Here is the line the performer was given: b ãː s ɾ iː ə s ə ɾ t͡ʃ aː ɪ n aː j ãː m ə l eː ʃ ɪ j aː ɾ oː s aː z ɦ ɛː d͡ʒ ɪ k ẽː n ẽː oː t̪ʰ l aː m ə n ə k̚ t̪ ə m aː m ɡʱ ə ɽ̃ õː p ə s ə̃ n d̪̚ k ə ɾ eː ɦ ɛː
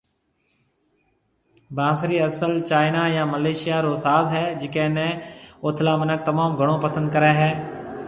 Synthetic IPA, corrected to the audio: b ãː s ɾ iː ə s ə l t͡ʃ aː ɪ n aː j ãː m ə l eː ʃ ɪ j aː ɾ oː s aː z ɦ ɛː d͡ʒ ɪ k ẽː n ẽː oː t̪ʰ l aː m ə n ə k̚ t̪ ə m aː m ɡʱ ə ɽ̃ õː p ə s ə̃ n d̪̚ k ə ɾ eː ɦ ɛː